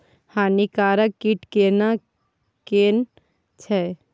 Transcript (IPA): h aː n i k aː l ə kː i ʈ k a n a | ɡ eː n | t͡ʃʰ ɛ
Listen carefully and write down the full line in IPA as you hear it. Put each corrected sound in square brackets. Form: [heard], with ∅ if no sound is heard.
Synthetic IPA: h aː n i k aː [ɾ] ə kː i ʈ k [e] n a | [k] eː n | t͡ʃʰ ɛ